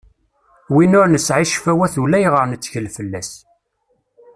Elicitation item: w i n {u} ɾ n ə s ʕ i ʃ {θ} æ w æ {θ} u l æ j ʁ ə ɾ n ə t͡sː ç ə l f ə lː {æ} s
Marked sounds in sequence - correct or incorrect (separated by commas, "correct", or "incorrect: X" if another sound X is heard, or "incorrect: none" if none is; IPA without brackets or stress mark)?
incorrect: ʊ, incorrect: f, correct, correct